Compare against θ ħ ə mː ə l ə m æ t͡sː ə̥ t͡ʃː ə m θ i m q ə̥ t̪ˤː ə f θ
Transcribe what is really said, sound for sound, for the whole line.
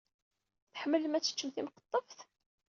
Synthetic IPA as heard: θ ħ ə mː ə l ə m æ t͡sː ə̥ t͡ʃː ə m θ i m q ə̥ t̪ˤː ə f θ